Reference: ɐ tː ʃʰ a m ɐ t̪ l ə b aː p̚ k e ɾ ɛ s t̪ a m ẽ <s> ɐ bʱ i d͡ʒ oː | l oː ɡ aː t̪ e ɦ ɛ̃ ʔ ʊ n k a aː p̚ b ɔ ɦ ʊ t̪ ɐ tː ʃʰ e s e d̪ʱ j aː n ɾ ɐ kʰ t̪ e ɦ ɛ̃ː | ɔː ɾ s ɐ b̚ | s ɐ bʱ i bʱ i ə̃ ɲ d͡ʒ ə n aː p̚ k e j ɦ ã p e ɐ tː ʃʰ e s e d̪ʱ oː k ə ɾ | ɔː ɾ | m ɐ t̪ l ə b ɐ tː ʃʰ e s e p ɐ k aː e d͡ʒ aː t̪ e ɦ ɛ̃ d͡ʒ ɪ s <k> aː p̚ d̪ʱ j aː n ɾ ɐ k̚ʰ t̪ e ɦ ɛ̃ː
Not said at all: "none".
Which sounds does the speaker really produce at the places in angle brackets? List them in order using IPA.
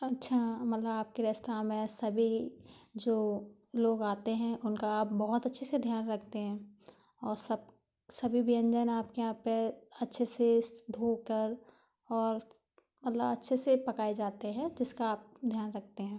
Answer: s, k

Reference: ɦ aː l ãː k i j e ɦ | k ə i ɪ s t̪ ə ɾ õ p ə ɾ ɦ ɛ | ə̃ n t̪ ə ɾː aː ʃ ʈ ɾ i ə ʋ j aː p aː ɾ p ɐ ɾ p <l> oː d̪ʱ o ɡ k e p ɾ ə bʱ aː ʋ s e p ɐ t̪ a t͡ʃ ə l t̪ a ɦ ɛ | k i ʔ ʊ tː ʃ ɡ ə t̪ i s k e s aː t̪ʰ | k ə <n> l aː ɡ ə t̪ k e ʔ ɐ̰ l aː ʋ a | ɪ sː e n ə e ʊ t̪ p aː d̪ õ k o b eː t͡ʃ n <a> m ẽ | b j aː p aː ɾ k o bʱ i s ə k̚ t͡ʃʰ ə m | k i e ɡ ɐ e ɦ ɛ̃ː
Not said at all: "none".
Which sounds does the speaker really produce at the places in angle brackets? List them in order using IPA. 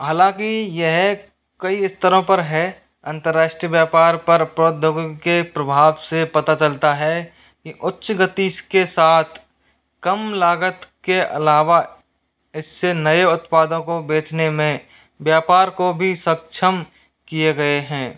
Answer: ɾ, m, e

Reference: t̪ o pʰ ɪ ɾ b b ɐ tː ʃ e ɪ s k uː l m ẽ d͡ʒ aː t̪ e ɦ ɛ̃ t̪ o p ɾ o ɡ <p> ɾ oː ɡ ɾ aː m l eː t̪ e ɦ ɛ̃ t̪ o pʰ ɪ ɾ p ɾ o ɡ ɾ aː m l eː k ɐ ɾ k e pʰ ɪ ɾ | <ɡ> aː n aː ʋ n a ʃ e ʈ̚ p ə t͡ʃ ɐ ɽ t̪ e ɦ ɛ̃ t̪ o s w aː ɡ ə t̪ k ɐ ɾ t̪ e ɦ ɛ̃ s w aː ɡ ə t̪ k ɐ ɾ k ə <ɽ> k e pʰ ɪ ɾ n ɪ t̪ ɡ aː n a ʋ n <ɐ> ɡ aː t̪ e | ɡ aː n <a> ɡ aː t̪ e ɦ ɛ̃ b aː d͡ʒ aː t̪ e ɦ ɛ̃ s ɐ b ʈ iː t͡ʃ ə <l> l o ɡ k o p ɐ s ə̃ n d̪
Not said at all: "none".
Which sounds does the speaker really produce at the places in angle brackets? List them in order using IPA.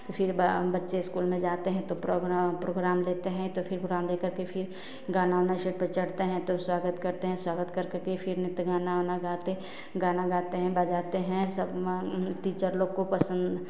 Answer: p, ɡ, ɾ, a, a, ɾ

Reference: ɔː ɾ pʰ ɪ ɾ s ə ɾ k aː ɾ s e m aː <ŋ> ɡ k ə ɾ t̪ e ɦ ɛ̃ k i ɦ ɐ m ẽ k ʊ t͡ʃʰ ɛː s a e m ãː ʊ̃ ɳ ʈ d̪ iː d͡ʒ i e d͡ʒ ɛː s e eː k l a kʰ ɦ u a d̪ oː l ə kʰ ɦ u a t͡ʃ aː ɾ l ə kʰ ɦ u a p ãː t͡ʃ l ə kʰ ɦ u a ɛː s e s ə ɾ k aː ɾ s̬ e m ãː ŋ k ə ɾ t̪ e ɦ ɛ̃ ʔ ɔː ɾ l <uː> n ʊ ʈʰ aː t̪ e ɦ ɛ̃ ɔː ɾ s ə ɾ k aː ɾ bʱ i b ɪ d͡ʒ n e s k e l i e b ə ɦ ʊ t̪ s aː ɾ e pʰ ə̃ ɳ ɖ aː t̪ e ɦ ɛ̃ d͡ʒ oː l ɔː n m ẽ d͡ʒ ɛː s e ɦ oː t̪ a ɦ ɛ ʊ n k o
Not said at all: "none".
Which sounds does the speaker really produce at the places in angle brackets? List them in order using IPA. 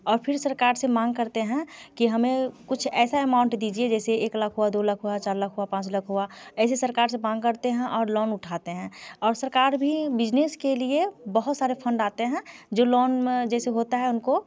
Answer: ŋ, ɔː

